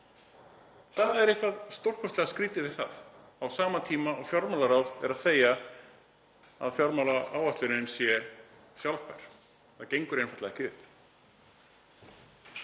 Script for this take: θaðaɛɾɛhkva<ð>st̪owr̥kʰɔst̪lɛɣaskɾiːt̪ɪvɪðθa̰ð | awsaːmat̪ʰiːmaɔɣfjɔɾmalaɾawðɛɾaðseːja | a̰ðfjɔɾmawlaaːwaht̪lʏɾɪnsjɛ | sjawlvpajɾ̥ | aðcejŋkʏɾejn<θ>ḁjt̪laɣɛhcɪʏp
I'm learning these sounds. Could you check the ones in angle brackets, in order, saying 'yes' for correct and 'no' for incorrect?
yes, no

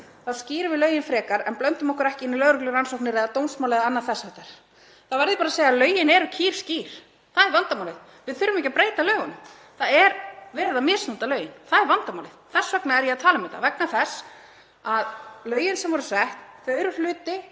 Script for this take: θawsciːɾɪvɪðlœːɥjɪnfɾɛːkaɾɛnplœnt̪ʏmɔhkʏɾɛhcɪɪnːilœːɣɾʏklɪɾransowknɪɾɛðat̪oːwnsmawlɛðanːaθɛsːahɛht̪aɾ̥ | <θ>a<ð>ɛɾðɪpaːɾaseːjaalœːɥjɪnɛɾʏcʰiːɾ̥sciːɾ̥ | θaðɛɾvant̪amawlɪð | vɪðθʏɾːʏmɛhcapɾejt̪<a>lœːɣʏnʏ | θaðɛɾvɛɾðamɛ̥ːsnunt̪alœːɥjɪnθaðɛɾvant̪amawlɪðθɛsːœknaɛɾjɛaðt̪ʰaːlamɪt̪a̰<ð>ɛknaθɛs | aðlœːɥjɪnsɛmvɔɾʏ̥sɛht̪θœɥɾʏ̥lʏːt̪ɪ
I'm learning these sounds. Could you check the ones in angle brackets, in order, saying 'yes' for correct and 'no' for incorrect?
yes, no, yes, no

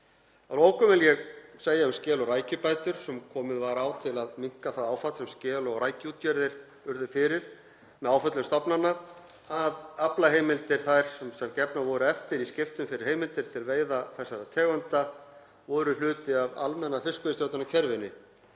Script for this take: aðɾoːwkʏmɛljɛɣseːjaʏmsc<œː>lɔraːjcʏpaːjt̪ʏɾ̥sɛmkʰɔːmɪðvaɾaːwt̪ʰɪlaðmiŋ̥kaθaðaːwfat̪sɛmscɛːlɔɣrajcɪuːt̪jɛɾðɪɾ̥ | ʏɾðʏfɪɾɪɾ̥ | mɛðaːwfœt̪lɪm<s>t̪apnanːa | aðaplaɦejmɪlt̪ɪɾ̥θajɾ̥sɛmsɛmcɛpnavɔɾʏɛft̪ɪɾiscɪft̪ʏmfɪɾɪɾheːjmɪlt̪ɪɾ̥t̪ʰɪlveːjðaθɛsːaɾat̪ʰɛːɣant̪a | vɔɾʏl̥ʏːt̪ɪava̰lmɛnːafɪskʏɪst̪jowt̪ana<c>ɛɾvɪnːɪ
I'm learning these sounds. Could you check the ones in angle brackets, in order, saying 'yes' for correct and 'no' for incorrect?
no, yes, no

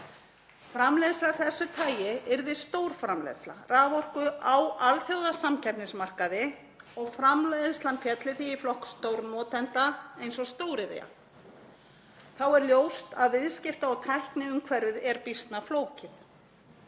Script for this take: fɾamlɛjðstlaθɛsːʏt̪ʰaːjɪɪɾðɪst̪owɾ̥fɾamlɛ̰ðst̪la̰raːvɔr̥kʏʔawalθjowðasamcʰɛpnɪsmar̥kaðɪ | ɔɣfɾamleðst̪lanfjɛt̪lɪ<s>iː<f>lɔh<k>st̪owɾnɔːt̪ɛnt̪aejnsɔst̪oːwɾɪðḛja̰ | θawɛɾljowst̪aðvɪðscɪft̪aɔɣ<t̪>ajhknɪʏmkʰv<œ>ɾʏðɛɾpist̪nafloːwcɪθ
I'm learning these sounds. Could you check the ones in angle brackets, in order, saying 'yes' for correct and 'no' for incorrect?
no, yes, yes, no, no

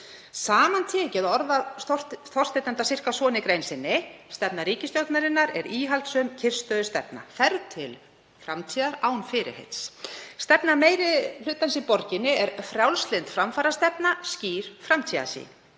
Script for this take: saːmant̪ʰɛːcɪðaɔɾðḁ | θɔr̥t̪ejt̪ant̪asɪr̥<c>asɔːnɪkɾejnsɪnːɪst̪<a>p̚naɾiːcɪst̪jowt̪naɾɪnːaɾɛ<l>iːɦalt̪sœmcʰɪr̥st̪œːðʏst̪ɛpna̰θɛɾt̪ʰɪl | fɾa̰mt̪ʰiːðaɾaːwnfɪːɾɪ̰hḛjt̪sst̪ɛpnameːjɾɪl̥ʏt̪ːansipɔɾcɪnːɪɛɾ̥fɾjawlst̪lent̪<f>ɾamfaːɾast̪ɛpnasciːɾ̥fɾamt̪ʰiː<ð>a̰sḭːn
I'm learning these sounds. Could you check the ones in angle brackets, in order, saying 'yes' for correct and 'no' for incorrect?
no, no, no, yes, yes

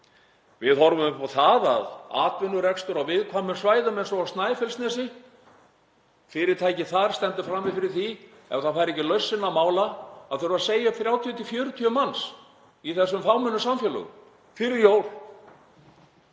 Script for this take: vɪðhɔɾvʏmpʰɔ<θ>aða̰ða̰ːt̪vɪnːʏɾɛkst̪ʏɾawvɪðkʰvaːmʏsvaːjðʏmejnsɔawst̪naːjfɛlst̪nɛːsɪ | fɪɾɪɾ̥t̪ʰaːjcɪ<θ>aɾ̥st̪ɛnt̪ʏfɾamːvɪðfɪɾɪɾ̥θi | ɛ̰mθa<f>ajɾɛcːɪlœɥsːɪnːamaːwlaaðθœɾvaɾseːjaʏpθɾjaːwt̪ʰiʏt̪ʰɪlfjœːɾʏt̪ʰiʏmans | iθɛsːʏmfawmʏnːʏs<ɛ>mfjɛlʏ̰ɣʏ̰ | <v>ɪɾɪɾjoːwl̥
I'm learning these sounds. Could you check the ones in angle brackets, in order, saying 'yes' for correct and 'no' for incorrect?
yes, yes, yes, no, no

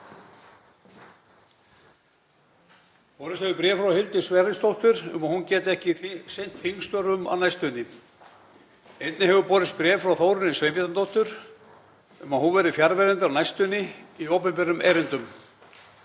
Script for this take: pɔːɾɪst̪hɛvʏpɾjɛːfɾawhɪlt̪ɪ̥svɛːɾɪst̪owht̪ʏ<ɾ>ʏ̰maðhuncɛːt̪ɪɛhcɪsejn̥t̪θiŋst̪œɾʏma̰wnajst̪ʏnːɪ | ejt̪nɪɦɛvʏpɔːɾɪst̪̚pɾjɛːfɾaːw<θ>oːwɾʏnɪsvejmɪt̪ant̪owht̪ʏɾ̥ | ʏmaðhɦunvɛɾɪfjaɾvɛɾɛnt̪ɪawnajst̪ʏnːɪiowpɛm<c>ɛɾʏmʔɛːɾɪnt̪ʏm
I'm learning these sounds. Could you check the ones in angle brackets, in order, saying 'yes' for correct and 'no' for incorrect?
yes, yes, no

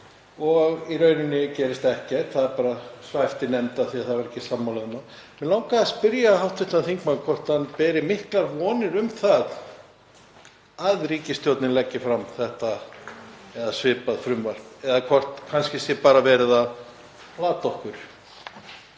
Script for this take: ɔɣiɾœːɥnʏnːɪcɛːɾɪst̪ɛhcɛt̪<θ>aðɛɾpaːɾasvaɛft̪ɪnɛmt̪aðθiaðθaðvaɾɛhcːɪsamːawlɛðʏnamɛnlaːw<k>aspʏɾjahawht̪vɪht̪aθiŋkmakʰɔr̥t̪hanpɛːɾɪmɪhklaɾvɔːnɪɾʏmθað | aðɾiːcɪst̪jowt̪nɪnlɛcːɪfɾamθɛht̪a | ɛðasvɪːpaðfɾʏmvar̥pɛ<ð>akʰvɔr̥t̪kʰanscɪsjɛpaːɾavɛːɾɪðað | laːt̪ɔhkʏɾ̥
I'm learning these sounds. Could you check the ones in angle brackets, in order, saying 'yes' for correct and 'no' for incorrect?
yes, yes, yes

